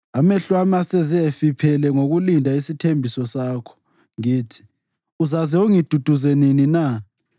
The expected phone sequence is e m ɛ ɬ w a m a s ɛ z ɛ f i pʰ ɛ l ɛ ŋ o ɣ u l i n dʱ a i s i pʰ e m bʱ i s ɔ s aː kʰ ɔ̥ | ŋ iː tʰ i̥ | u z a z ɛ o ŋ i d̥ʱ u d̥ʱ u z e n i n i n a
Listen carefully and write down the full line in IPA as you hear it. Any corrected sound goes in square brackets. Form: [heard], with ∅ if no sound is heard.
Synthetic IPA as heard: [a] m ɛ ɬ w a m a s ɛ z ɛ f i pʰ ɛ l ɛ ŋ o ɣ u l i n dʱ a i s i [tʰ] e m bʱ i s ɔ s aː kʰ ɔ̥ | ŋ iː tʰ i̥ | u z a z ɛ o ŋ i d̥ʱ u d̥ʱ u z e n i n i n a